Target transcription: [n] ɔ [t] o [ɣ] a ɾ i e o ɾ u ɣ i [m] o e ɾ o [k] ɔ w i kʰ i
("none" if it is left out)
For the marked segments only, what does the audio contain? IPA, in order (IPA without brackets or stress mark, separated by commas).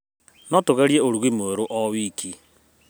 n, t, ɣ, m, ʔ